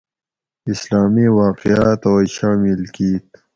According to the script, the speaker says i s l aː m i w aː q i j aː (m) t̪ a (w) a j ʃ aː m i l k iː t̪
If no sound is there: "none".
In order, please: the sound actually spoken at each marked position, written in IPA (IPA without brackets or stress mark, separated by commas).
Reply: none, w